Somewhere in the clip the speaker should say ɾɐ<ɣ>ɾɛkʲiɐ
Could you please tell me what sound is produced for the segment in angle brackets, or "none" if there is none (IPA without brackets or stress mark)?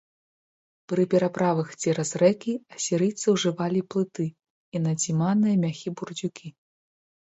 z